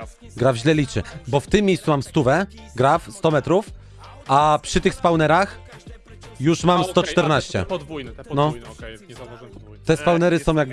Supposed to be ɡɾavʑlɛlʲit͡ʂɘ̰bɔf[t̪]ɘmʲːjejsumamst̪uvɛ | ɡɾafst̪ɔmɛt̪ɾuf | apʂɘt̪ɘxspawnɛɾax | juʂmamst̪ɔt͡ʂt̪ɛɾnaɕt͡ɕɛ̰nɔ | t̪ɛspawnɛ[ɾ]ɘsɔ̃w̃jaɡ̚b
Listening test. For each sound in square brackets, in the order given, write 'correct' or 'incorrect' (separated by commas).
correct, correct